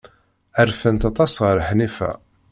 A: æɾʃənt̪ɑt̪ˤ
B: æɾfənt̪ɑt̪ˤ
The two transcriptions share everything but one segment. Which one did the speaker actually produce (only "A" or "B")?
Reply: B